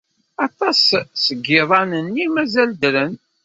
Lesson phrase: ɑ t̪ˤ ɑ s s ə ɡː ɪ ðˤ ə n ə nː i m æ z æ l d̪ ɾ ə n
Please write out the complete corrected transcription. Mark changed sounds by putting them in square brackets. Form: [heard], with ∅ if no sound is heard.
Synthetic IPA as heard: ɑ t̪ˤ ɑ s s ə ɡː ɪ ðˤ [ɑ] n ə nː i m æ z æ l d̪ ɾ ə n

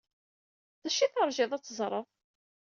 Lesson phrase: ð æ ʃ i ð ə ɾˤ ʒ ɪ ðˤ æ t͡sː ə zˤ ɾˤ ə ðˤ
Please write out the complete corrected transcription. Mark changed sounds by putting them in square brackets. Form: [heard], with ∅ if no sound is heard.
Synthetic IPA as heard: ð æ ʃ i [θ] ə ɾˤ ʒ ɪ ðˤ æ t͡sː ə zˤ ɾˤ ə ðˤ

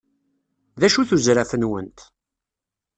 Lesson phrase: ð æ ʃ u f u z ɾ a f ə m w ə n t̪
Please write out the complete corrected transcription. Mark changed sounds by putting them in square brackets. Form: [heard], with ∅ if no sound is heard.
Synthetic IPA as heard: ð æ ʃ u [θ] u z ɾ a f ə [n] w ə n t̪

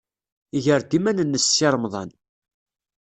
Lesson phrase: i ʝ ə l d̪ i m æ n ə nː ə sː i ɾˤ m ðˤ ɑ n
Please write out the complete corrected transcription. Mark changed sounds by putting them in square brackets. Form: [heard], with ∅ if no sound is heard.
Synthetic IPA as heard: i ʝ ə [ɾ] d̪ i m æ n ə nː ə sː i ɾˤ m ðˤ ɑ n

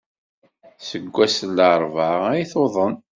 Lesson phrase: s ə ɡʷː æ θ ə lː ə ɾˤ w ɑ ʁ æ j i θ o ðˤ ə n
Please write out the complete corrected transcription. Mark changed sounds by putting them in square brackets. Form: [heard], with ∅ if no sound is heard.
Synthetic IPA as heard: s ə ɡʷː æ [s] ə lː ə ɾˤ [v] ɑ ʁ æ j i θ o ðˤ ə n

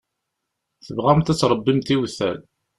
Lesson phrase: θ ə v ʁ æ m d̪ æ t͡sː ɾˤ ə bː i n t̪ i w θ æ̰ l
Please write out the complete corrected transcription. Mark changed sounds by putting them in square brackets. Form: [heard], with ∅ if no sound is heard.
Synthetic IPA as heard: θ ə v ʁ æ m [t̪] æ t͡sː ɾˤ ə bː i [m] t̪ i w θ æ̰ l

